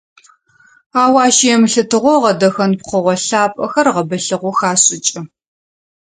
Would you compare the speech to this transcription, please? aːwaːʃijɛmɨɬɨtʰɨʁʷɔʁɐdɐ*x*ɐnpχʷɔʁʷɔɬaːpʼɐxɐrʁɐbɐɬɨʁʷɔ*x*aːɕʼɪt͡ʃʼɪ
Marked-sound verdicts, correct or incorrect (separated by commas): correct, correct